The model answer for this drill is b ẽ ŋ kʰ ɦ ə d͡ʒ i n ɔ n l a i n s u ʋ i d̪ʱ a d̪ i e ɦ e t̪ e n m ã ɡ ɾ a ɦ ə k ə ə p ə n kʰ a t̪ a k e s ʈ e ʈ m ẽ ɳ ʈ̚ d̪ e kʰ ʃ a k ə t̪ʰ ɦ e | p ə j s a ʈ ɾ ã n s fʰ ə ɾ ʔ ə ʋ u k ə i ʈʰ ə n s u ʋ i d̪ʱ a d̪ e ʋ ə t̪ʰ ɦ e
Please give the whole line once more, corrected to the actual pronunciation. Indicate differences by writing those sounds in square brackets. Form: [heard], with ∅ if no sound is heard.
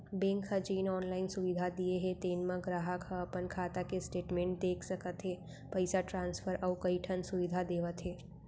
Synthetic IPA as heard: b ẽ ŋ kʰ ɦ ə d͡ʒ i n ɔ n l a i n s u ʋ i d̪ʱ a d̪ i e ɦ e t̪ e n m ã ɡ ɾ a ɦ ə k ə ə p ə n kʰ a t̪ a k e s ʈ e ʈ m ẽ ɳ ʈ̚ d̪ e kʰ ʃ [ə] k ə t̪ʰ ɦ e | p ə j s a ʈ ɾ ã n s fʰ ə ɾ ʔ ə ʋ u k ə i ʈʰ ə n s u ʋ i d̪ʱ a d̪ e ʋ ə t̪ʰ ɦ e